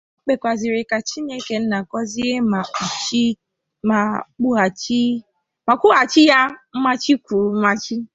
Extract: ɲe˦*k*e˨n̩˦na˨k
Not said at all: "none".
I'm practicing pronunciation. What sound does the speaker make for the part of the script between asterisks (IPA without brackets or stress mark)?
k